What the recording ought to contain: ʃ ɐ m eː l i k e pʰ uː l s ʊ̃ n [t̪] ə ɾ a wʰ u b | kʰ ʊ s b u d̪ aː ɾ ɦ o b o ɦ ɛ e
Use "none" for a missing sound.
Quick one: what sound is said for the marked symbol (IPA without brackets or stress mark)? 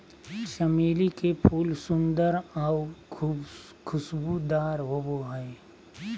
d̪